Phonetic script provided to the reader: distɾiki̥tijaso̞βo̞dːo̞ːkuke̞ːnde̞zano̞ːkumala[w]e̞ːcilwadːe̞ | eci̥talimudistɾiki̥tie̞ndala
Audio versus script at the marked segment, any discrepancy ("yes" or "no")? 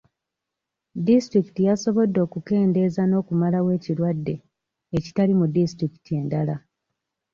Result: no